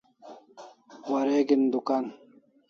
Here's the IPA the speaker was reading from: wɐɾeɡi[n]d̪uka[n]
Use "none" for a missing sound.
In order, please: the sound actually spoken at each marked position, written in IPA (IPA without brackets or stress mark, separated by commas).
n, n